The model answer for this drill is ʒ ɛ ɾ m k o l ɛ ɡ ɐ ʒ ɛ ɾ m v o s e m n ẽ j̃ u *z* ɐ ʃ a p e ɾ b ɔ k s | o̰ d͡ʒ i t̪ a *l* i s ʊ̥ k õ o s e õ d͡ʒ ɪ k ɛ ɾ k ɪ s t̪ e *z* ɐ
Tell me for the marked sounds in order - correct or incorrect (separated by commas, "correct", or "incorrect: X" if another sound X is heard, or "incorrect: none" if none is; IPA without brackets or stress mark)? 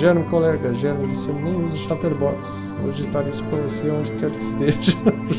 correct, incorrect: ɾ, incorrect: ʒ